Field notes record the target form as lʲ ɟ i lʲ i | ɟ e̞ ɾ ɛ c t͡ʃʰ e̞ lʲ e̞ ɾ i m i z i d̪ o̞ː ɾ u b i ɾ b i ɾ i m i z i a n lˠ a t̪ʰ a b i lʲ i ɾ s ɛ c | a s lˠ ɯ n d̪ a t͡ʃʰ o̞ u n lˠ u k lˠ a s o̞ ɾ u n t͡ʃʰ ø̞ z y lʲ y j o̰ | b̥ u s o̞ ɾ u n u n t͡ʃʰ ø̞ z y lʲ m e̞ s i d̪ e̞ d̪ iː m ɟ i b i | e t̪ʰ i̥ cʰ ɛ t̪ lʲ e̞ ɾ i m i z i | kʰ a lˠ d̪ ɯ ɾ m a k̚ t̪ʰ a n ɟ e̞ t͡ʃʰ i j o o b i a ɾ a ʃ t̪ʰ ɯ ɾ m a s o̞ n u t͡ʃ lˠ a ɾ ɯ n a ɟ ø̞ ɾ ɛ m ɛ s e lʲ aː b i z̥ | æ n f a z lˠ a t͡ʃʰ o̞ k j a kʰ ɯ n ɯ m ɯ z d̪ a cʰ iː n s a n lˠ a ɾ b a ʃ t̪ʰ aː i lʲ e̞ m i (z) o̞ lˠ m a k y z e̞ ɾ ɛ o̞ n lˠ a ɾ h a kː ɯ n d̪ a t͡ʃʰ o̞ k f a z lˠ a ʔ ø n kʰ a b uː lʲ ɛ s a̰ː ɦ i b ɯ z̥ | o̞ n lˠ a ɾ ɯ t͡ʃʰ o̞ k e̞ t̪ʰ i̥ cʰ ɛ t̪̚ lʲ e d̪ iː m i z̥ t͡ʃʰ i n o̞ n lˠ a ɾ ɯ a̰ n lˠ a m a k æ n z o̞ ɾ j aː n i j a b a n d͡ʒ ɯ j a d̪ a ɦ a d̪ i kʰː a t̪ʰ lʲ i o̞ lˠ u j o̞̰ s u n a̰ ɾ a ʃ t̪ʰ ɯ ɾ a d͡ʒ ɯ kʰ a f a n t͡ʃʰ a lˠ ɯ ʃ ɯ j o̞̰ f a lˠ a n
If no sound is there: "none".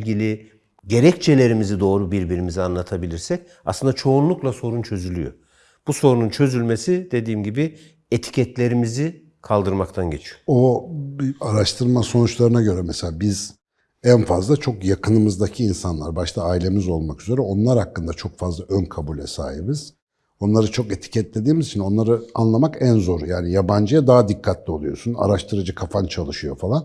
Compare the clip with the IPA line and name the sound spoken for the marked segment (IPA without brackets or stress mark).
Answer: z